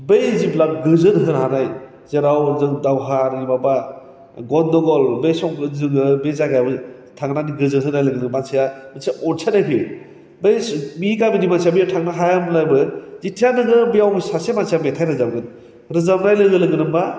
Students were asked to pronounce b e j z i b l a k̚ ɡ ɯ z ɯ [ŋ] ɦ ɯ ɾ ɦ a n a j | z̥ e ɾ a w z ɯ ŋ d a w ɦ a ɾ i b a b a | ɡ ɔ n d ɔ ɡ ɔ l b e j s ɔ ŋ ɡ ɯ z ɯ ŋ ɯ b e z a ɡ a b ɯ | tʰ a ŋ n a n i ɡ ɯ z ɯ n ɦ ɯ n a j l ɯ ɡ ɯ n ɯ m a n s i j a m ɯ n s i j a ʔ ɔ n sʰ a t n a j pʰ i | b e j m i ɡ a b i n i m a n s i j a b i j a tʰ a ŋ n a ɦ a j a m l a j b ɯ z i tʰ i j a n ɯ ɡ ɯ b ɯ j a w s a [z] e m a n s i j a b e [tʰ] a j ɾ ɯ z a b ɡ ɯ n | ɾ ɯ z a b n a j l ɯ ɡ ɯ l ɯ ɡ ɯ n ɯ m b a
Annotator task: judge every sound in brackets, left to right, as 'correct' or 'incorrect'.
incorrect, incorrect, correct

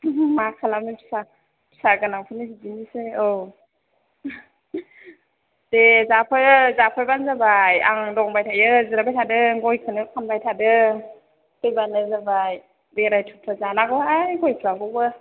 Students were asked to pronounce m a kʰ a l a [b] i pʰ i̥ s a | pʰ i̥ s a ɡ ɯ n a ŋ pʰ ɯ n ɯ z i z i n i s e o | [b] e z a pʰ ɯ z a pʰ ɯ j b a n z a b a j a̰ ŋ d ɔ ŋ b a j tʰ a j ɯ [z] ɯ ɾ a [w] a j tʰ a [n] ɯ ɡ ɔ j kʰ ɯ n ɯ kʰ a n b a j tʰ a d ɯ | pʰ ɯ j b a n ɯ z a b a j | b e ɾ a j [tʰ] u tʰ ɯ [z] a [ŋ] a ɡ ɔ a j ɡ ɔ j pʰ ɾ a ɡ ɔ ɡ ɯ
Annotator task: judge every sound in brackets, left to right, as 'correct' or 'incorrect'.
incorrect, incorrect, correct, incorrect, incorrect, correct, correct, incorrect

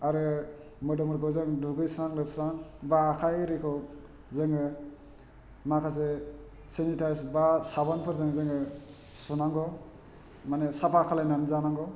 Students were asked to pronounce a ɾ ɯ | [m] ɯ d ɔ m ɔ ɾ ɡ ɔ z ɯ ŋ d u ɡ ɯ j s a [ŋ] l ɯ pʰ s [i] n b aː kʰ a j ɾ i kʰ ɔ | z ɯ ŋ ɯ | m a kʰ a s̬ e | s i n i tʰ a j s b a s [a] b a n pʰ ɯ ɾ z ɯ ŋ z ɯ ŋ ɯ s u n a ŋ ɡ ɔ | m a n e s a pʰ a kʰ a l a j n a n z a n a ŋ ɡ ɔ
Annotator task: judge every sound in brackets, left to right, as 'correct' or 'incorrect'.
correct, correct, incorrect, correct

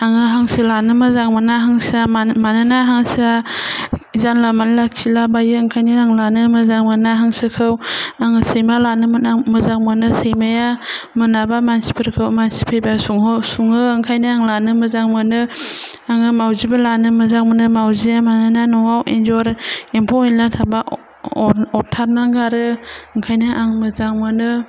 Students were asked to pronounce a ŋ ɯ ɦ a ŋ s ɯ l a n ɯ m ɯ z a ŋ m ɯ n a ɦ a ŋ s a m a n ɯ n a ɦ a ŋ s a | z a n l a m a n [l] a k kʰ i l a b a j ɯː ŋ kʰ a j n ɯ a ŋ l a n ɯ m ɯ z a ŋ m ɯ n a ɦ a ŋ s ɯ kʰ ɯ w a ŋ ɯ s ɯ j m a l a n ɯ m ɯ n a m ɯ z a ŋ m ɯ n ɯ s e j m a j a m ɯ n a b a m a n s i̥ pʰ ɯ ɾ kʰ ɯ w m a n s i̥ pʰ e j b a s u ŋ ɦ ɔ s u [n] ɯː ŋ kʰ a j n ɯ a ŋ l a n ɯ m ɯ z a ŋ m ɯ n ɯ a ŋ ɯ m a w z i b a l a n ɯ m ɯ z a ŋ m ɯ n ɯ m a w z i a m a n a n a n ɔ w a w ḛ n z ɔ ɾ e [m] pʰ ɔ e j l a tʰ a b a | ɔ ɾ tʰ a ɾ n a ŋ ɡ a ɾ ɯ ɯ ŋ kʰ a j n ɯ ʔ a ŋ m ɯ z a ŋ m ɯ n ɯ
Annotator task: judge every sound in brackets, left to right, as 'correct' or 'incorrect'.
correct, incorrect, correct

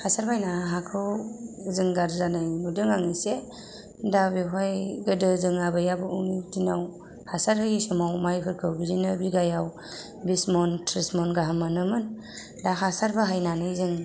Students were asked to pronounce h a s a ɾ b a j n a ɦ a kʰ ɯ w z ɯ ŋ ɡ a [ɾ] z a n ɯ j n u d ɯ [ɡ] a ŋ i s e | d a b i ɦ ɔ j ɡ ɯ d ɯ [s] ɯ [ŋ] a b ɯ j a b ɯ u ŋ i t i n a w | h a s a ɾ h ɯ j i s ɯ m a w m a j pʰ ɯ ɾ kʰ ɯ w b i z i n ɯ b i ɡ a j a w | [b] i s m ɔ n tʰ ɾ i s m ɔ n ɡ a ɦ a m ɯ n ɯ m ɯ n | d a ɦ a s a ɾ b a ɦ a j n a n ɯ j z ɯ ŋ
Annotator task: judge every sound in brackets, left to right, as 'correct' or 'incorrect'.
correct, incorrect, incorrect, correct, correct

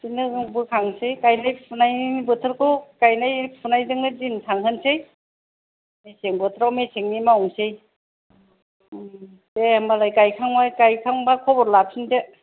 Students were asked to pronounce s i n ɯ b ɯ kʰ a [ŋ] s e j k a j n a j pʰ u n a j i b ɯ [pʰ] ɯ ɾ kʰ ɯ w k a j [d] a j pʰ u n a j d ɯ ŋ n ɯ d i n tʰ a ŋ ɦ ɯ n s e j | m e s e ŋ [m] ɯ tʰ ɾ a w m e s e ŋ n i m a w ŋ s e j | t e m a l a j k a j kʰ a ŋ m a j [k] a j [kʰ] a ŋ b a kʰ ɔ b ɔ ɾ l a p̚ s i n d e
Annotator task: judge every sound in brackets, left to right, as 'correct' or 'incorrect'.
correct, incorrect, incorrect, incorrect, correct, correct

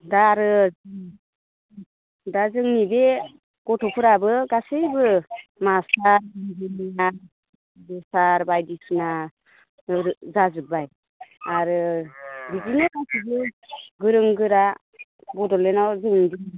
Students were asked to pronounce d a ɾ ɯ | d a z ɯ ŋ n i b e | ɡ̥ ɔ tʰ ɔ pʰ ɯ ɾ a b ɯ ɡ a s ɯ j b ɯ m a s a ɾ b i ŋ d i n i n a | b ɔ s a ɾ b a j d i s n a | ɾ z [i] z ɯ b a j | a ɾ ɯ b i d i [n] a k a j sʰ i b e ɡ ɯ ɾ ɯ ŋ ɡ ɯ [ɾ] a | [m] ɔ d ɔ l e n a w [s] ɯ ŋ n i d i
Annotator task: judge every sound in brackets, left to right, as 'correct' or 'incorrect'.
incorrect, correct, correct, incorrect, incorrect

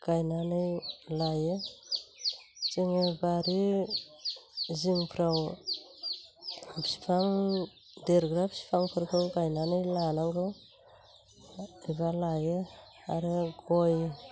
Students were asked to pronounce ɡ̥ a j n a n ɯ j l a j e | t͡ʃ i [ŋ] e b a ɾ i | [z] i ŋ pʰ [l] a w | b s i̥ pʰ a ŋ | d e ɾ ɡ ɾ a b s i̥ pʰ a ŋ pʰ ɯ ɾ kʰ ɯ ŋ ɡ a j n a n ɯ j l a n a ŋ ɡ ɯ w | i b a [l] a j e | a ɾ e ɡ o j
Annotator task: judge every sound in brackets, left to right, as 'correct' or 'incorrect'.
correct, correct, incorrect, correct

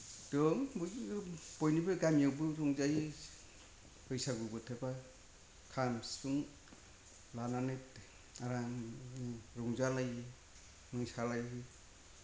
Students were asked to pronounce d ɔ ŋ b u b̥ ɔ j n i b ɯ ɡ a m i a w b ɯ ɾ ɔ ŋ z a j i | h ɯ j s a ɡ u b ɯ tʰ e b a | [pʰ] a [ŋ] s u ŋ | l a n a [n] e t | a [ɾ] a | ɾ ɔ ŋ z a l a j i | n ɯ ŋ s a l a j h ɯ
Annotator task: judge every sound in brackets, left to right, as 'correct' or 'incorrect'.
incorrect, incorrect, correct, correct

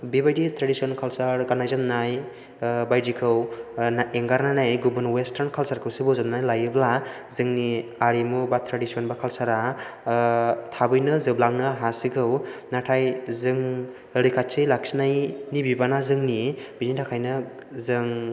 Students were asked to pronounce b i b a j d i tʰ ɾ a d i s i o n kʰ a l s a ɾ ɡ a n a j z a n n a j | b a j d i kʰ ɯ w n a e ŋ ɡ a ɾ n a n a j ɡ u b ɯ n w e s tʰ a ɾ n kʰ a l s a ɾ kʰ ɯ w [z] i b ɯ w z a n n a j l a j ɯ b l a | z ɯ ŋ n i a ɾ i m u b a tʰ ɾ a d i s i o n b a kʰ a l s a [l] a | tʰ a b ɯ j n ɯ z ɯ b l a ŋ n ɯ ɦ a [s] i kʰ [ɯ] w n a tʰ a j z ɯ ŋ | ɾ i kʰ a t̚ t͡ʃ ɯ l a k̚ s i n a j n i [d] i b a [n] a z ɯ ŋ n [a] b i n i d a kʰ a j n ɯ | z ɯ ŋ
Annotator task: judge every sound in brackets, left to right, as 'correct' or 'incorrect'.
incorrect, incorrect, correct, correct, incorrect, correct, incorrect

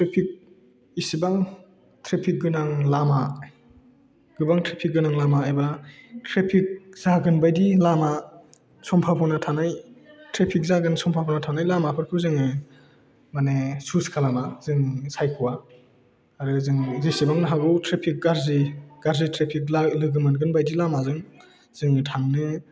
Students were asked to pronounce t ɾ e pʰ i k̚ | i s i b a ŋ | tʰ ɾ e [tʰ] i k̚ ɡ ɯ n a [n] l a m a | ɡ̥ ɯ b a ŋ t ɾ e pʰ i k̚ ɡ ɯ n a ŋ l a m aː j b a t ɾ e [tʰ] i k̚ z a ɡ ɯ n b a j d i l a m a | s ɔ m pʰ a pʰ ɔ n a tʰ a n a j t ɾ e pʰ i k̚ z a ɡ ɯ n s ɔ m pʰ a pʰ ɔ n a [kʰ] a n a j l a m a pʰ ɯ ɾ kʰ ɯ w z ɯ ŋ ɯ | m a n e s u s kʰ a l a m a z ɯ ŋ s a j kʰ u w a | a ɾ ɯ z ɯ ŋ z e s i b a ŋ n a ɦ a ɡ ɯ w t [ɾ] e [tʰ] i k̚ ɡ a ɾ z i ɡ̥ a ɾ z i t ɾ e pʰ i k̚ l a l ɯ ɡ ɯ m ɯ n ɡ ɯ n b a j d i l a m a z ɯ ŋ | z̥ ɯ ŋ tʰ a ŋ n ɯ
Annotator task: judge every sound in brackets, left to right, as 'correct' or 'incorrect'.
incorrect, incorrect, incorrect, incorrect, correct, incorrect

